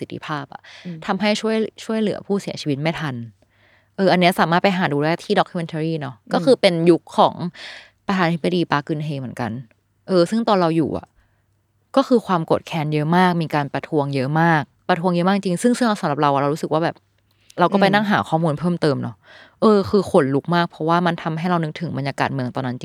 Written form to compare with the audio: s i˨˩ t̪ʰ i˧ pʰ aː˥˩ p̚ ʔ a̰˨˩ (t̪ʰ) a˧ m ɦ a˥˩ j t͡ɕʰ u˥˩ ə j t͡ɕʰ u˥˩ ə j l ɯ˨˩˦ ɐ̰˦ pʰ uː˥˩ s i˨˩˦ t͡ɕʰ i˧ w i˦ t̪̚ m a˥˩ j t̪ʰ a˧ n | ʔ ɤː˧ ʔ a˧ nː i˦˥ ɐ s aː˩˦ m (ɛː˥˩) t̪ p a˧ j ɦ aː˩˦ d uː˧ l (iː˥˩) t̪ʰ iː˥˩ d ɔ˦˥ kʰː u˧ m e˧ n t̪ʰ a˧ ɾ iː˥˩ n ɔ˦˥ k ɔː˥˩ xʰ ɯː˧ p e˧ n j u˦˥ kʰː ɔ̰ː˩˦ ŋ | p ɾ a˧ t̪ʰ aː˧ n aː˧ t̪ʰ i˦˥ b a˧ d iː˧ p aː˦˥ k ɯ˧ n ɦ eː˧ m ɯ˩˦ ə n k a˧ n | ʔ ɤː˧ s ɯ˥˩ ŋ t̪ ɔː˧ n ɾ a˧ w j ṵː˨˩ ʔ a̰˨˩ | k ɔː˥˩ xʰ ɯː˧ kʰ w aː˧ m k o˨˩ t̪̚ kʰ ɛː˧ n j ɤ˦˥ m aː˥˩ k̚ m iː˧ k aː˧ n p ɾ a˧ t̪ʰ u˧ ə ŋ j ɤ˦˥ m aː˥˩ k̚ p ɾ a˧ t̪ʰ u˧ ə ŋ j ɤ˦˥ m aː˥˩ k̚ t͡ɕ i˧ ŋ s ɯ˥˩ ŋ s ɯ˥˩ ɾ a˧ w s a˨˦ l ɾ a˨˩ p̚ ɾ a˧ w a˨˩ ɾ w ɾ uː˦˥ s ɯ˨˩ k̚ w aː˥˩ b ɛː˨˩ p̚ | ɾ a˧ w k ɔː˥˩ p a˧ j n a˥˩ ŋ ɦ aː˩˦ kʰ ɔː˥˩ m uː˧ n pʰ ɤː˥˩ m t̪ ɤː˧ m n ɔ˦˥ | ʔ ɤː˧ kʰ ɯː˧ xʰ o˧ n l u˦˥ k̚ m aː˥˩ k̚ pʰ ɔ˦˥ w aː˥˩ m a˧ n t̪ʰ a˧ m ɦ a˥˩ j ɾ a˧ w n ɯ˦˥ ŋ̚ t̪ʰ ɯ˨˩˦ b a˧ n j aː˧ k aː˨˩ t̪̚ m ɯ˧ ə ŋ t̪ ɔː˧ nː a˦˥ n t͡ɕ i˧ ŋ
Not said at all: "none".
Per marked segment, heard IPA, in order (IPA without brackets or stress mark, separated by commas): t̪ʰ, aː˥˩, ɛː˥˩